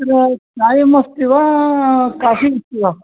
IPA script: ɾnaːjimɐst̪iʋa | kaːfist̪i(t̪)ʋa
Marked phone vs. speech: incorrect: none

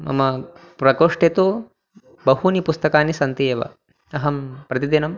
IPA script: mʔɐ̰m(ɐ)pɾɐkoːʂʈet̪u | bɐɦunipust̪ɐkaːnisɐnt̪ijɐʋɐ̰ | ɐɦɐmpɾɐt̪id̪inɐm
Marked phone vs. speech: correct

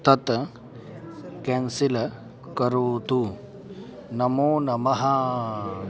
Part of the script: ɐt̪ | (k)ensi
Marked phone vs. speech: correct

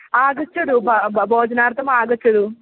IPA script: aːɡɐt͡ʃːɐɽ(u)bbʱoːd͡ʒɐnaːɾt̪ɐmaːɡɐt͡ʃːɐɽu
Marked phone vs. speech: correct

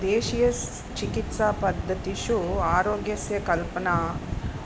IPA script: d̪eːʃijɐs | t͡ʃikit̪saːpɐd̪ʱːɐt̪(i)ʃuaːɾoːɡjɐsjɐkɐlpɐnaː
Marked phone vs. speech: correct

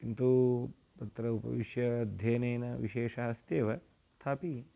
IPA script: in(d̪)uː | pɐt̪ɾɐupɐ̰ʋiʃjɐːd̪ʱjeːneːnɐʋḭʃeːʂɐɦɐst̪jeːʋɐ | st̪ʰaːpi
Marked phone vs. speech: incorrect: t̪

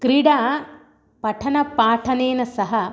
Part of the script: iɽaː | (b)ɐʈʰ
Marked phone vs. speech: incorrect: p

